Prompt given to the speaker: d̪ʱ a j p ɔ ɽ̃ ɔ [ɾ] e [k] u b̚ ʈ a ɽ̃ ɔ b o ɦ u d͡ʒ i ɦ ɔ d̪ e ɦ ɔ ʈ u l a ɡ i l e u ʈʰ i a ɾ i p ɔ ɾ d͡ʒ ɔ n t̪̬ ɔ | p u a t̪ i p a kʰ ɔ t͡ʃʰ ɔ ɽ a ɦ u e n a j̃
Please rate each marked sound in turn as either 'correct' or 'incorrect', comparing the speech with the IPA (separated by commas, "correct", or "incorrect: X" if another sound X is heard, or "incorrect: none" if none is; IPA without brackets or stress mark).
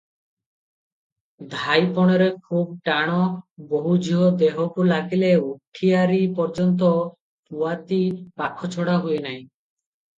correct, incorrect: kʰ